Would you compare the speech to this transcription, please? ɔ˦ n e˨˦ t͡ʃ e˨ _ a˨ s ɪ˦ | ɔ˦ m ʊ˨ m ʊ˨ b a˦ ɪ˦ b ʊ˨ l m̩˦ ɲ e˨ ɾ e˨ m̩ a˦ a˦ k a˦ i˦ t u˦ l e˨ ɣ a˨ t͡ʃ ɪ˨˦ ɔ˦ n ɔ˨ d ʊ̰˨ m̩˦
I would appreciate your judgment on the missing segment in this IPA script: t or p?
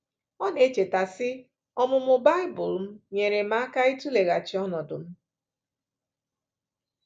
t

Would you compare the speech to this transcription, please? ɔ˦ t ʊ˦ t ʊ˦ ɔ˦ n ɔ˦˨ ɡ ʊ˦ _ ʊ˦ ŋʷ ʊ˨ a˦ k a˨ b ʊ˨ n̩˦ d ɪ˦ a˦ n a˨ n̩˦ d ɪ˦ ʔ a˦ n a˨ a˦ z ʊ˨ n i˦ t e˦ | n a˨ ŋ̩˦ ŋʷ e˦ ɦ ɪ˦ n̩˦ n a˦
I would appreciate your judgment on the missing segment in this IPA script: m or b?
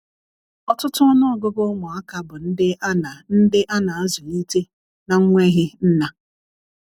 b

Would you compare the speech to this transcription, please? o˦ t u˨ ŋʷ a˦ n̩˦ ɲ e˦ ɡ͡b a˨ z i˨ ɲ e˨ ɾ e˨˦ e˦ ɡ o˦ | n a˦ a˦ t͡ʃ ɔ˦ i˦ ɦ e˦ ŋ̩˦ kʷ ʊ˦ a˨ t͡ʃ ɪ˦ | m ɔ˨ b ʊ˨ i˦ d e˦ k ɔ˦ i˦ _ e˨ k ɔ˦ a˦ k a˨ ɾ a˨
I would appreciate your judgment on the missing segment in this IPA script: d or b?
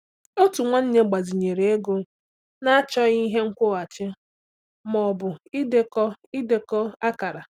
d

